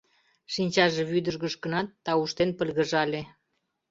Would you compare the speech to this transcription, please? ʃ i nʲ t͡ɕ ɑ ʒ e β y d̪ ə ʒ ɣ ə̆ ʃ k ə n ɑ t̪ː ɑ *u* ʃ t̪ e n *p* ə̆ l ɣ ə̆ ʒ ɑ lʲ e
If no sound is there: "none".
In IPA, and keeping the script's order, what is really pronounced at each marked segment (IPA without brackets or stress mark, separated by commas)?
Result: u, p